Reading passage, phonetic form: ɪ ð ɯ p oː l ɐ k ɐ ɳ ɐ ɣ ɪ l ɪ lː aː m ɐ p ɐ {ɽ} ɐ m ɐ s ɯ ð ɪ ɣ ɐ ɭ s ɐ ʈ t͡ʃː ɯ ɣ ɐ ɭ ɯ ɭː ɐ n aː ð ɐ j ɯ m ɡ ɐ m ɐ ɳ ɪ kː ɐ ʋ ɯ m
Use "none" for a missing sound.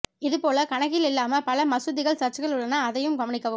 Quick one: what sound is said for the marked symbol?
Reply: l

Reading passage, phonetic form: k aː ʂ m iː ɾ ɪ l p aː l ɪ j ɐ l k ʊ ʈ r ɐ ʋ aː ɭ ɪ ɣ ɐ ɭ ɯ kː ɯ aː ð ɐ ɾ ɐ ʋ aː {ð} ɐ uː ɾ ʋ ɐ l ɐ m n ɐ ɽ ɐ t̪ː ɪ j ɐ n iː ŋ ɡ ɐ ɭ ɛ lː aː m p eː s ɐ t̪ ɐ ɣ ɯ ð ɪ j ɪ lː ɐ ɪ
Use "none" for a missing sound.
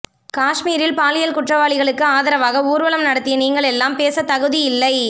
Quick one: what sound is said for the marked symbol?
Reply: ɣ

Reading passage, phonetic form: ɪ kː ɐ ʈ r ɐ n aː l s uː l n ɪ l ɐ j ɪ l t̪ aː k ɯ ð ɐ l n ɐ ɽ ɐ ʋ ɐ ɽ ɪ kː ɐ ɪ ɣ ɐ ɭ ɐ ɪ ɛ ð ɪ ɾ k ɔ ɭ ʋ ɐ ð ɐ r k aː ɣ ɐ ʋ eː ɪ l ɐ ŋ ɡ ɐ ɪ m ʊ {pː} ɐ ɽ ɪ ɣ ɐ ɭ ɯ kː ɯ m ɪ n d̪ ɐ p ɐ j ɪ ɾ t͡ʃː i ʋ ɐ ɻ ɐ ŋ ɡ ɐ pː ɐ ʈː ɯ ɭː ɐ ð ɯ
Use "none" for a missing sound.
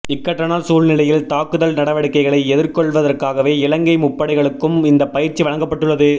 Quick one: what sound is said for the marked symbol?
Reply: pː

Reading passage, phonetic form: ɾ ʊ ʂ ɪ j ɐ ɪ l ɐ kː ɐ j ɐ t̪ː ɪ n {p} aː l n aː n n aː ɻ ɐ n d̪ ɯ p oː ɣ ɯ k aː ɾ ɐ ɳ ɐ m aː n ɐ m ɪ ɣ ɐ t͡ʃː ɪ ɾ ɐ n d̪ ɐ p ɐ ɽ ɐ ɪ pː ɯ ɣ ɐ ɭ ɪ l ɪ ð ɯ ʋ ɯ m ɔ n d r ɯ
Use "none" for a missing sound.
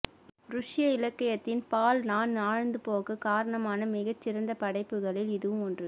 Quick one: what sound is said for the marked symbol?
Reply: p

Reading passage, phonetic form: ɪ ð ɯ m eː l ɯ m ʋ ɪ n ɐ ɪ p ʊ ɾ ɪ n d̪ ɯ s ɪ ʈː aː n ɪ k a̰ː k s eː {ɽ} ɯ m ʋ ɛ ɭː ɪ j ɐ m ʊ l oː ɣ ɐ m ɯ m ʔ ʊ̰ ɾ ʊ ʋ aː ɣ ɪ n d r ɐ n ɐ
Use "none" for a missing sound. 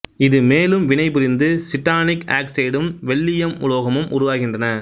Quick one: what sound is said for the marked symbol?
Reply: ɽ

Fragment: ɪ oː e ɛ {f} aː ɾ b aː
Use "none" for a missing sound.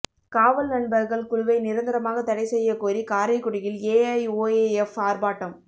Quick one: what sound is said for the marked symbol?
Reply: f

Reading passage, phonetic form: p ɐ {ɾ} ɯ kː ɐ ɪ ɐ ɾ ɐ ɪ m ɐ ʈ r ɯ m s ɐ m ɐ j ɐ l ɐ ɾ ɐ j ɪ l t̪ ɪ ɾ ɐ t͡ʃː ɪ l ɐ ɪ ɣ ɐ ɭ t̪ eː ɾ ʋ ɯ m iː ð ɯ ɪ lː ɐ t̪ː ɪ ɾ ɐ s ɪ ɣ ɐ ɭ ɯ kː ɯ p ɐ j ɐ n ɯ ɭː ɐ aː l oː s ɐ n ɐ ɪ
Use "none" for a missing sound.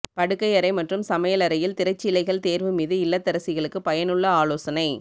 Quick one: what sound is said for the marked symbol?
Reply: ɽ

